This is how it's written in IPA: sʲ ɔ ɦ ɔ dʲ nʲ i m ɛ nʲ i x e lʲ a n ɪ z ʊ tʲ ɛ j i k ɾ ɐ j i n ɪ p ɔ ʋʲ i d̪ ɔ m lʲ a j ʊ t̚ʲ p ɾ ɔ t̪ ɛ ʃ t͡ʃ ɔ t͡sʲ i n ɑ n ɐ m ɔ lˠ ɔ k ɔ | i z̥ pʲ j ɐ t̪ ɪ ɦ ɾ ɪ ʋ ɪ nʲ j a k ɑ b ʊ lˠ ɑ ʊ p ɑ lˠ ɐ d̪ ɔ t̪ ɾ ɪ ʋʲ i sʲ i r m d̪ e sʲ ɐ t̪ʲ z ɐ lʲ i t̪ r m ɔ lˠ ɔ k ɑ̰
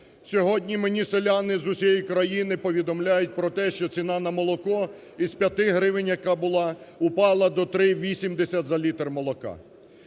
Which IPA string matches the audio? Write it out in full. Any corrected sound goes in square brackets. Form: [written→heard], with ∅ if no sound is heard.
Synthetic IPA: sʲ ɔ ɦ ɔ dʲ nʲ i m [ɛ→e] nʲ i [x→s] e lʲ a n ɪ z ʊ [tʲ→sʲ] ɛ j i k ɾ ɐ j i n ɪ p ɔ ʋʲ i d̪ ɔ m lʲ a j ʊ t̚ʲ p ɾ ɔ t̪ ɛ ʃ t͡ʃ ɔ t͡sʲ i n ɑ n ɐ m ɔ lˠ ɔ k ɔ | i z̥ pʲ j ɐ t̪ ɪ ɦ ɾ ɪ ʋ ɪ nʲ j [a→ɐ] k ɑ b ʊ lˠ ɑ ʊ p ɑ lˠ ɐ d̪ ɔ t̪ ɾ ɪ ʋʲ i sʲ i [r→∅] m d̪ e sʲ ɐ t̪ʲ z ɐ lʲ i t̪ r m ɔ lˠ ɔ k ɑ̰